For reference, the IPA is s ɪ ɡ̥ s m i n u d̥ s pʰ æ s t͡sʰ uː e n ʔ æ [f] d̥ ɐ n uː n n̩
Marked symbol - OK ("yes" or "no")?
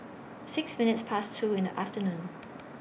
yes